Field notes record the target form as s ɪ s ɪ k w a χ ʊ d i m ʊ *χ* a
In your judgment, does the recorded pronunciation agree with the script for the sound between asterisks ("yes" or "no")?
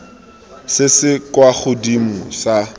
no